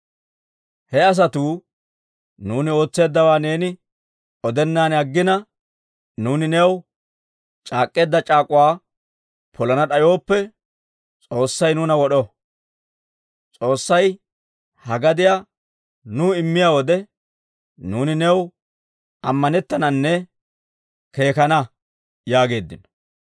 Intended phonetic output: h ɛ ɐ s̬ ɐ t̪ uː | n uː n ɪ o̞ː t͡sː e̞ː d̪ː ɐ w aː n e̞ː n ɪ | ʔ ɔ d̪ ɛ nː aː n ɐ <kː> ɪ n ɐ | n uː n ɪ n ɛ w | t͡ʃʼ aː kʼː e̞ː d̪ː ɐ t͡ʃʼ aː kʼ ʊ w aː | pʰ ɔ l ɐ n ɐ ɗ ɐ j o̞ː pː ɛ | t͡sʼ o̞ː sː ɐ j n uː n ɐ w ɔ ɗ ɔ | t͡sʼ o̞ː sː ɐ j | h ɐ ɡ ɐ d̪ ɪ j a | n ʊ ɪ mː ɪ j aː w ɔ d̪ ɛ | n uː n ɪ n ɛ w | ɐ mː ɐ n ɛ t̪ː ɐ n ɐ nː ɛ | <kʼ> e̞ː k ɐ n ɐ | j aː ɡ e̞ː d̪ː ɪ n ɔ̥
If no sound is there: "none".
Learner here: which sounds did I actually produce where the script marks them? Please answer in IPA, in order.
ɡː, k

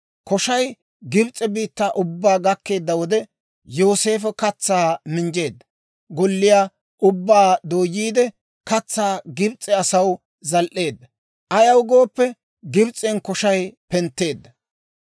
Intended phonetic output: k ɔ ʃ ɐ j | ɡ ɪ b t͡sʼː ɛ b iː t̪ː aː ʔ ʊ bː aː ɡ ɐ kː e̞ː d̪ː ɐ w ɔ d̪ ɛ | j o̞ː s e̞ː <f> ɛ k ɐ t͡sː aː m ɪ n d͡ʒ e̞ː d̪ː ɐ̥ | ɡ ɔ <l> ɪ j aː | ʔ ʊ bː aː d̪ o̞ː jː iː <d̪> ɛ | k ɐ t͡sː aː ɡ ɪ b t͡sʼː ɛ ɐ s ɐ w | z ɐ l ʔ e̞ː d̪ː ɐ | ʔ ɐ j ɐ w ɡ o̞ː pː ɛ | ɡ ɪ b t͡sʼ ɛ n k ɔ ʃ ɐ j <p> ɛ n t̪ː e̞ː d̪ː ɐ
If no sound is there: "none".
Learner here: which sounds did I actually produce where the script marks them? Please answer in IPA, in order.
f, lː, d̪, p

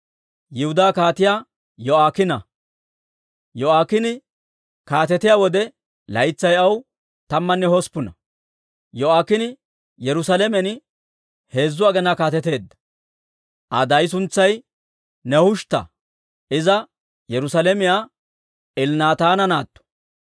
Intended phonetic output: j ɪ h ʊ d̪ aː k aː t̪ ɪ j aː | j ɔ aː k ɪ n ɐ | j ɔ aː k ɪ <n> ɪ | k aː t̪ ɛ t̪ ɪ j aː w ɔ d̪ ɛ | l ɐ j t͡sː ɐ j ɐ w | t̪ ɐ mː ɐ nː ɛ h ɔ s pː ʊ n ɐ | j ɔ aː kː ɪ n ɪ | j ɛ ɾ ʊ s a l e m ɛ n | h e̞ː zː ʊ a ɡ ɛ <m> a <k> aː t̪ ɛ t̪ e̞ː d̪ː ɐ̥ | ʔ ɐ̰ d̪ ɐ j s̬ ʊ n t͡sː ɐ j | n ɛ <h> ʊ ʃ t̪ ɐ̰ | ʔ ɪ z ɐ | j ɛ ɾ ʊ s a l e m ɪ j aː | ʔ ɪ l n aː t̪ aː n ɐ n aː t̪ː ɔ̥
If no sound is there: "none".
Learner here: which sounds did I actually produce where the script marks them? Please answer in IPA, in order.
n, n, k, h

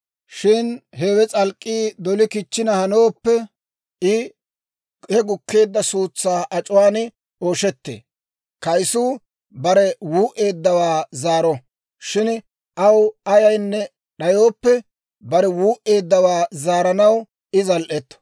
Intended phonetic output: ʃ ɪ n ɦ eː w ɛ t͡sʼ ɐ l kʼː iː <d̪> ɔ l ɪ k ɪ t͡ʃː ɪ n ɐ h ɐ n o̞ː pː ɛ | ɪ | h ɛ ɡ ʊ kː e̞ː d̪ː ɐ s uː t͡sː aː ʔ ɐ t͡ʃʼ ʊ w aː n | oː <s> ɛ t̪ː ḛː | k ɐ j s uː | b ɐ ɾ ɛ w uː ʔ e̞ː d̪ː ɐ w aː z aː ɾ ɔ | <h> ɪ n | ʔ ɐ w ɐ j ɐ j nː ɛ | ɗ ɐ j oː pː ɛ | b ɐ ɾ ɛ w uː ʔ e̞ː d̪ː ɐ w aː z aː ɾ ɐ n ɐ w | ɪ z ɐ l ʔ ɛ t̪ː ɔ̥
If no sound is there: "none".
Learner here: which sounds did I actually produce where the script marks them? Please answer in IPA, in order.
d̪, ʃ, ʃ

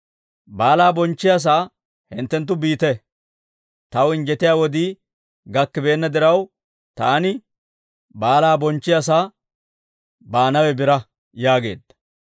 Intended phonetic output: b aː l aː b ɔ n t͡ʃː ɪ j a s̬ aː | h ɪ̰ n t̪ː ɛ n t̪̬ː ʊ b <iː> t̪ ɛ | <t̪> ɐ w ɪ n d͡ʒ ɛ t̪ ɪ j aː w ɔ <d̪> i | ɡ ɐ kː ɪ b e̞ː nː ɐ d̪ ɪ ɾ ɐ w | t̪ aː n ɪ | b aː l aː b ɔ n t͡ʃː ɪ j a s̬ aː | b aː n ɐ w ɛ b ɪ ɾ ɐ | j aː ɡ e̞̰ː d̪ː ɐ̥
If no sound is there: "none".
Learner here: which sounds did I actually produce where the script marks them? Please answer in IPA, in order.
iː, t̪, d̪

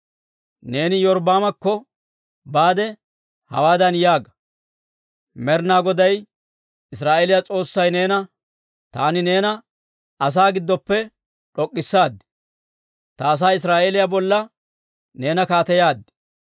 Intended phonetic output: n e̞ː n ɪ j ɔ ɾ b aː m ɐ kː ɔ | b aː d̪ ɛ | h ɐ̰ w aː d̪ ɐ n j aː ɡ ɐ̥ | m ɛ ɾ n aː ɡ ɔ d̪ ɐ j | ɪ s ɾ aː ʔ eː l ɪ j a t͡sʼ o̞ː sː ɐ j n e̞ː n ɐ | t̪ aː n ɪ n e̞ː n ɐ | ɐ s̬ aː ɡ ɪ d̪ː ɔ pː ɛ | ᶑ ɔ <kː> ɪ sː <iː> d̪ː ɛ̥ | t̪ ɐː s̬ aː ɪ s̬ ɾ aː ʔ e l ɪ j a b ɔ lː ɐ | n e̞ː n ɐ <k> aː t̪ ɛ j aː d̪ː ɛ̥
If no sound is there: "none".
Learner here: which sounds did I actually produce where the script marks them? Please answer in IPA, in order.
kʼː, aː, k

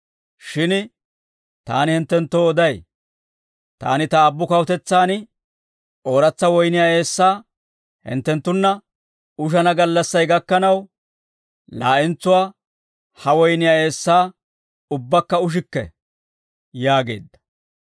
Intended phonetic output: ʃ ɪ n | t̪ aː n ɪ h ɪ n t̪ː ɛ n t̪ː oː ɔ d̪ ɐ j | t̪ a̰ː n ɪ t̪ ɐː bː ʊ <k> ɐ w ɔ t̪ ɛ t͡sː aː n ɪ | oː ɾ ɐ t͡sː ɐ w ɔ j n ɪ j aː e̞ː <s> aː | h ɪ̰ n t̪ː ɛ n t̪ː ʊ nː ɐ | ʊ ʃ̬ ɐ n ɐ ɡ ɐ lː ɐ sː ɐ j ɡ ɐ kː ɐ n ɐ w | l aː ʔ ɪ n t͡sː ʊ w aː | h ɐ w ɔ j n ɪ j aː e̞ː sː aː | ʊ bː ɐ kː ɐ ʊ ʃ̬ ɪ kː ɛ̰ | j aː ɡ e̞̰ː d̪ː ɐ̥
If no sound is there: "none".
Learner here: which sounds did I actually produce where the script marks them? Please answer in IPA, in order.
k, sː

